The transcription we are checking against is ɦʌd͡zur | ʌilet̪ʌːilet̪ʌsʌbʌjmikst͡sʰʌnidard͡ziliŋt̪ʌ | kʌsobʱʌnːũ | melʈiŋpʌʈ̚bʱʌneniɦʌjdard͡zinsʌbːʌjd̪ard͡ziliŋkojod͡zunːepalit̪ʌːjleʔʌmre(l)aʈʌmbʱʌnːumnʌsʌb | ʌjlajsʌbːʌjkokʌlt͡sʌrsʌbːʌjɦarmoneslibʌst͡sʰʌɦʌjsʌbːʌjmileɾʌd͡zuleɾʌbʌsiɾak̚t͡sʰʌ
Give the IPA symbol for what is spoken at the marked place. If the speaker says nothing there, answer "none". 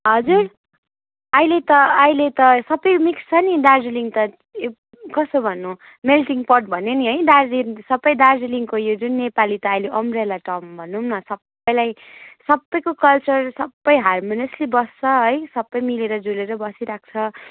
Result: l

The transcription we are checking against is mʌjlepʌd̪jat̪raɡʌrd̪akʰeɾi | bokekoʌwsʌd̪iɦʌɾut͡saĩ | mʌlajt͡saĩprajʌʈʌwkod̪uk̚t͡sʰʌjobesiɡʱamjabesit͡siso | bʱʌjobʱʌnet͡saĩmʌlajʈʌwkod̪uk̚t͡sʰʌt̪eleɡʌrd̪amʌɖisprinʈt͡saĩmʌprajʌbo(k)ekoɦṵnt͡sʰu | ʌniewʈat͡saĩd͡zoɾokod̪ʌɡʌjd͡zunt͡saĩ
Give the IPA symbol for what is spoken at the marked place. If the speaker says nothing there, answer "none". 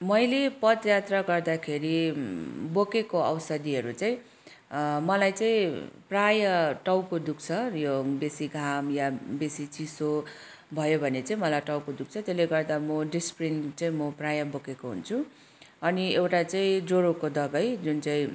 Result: k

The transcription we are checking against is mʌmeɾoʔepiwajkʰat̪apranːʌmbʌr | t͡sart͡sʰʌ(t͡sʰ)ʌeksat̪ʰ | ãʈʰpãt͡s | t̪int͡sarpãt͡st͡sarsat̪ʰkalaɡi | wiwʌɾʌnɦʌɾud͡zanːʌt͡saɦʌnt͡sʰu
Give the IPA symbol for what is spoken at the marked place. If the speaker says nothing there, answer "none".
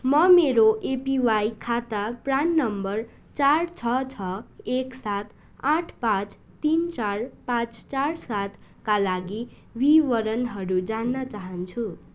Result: t͡sʰ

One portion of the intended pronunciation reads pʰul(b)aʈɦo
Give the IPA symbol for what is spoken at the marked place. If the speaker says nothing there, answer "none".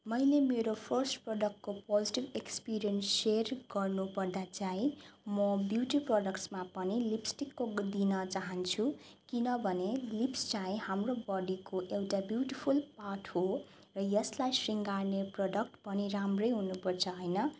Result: p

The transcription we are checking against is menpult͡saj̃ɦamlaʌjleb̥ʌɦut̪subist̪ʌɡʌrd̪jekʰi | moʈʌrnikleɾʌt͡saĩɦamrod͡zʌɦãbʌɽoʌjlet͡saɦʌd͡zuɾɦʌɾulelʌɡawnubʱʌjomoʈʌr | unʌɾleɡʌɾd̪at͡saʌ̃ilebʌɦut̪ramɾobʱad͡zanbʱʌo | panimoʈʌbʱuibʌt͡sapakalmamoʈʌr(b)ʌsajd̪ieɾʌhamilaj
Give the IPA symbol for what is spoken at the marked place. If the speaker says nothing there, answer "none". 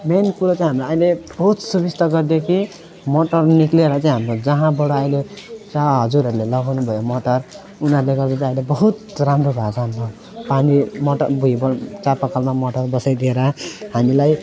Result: b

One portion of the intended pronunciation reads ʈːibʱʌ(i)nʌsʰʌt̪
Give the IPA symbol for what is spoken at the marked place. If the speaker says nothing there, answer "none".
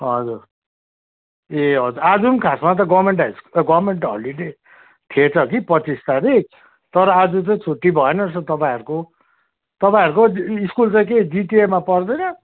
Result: e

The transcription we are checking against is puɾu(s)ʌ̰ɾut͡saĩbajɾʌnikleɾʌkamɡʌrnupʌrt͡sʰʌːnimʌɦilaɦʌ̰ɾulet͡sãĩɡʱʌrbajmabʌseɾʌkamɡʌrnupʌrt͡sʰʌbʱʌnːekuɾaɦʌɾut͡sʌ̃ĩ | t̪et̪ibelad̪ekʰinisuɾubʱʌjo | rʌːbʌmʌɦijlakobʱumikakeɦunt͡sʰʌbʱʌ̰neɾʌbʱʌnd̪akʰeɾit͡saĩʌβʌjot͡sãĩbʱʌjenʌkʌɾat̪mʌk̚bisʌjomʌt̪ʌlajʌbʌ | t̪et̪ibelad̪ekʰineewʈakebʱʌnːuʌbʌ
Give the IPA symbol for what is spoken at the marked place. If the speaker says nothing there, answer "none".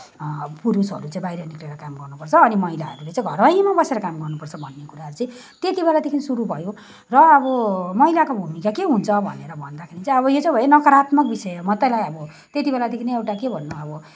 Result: s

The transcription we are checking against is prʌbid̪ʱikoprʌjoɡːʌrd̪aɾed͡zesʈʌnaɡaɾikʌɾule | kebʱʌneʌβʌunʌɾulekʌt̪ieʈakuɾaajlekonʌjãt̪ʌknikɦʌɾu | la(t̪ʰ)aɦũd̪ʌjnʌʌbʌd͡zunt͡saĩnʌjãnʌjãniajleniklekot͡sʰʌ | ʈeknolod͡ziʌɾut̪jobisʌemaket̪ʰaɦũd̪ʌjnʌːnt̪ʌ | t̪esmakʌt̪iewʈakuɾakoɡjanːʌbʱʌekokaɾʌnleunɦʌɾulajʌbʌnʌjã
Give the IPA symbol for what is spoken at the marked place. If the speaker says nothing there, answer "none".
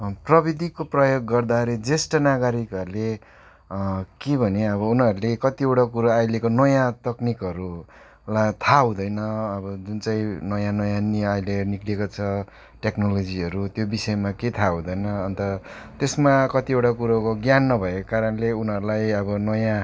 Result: t̪ʰ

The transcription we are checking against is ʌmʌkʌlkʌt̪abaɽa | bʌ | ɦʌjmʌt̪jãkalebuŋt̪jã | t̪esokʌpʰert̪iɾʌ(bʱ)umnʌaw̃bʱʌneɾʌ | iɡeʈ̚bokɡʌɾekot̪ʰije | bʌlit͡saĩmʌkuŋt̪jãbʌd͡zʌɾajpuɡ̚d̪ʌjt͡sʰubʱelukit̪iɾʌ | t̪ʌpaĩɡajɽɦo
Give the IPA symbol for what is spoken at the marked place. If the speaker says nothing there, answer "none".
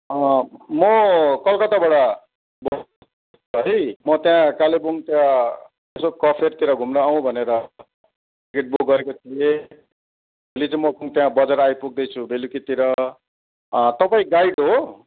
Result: ɡʱ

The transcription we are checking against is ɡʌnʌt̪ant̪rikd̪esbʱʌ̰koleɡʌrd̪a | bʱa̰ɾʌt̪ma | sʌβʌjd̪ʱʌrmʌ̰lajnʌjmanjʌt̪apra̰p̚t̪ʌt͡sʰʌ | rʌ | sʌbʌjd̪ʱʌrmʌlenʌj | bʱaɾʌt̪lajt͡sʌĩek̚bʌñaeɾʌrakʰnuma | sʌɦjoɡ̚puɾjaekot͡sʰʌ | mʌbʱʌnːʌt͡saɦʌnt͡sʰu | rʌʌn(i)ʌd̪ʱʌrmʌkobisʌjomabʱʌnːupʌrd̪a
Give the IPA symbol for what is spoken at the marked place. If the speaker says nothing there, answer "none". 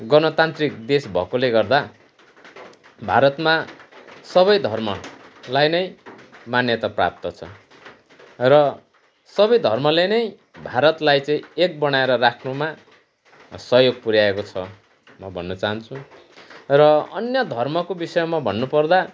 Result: j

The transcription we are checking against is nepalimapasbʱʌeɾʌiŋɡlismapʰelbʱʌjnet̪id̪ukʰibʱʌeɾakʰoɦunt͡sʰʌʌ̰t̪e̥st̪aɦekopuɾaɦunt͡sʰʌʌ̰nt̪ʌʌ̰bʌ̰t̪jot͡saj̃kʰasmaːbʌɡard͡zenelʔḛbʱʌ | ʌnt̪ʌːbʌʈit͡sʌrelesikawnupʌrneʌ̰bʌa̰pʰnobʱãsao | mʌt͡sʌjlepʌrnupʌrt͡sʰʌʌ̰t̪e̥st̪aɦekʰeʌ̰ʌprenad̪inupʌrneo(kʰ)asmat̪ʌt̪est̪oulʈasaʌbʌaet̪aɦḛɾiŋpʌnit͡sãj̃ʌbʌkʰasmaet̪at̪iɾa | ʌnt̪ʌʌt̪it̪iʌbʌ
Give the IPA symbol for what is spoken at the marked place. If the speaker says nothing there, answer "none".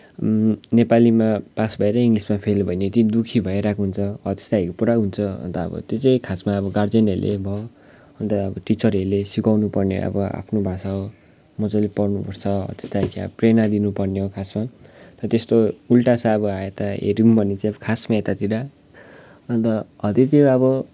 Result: kʰ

